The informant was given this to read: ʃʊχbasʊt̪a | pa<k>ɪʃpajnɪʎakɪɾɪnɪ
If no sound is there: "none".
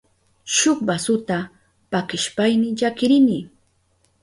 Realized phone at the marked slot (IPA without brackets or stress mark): k